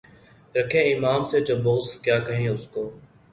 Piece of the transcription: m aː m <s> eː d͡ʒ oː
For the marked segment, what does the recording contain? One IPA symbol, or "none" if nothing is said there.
s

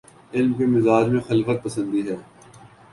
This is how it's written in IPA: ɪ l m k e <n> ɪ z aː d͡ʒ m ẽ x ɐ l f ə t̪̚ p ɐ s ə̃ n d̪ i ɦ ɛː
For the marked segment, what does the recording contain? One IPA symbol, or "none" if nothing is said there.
m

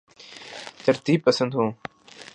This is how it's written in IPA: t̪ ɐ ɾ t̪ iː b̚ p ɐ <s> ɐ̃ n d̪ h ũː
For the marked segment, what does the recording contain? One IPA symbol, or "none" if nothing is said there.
s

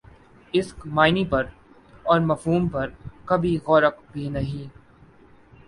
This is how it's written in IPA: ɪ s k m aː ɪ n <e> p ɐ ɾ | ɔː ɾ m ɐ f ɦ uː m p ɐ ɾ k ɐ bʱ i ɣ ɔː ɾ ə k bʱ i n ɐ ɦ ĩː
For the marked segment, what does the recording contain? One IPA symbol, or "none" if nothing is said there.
i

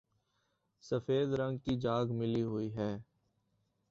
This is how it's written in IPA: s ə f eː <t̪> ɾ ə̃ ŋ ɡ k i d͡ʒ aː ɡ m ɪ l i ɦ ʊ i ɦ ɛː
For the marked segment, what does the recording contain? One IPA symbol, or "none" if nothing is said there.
d̪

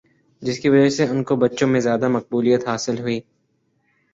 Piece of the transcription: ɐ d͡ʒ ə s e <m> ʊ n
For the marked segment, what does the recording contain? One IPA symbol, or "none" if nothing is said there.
none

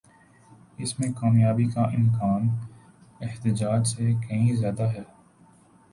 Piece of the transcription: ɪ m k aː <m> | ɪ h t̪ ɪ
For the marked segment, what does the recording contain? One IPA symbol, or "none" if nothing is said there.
n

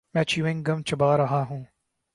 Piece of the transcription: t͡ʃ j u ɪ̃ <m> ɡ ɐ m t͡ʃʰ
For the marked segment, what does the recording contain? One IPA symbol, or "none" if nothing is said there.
ŋ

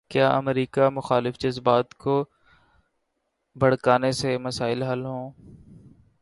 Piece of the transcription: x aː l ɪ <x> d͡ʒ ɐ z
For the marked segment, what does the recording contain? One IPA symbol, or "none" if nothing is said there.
f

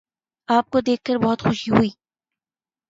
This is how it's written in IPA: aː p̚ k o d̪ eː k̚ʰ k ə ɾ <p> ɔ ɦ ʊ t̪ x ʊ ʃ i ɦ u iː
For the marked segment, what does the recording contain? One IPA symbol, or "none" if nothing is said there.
b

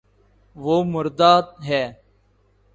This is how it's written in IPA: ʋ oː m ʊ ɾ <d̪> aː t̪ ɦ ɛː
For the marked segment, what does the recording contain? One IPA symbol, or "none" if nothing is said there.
d̪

